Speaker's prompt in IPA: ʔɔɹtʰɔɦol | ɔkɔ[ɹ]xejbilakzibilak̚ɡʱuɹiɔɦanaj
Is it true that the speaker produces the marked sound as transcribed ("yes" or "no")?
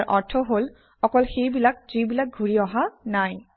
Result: no